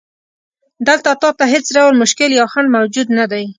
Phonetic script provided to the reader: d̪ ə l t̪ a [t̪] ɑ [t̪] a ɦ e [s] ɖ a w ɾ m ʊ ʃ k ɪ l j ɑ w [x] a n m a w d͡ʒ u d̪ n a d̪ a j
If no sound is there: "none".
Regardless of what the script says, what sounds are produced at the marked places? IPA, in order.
t̪, t̪, t͡s, x

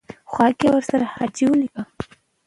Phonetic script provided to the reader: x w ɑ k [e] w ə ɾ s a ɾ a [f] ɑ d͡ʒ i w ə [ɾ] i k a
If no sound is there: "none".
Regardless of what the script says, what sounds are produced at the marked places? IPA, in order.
e, h, l

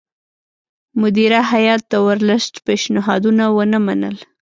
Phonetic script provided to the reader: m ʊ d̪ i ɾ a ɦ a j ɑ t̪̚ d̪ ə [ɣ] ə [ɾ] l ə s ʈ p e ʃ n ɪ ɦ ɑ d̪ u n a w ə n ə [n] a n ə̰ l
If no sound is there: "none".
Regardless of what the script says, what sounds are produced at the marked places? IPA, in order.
w, ɾ, m

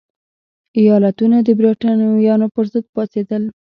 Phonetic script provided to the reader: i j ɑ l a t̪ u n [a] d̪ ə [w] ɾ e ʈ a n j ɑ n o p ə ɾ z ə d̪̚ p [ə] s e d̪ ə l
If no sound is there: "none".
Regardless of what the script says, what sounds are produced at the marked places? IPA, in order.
a, b, ɑ

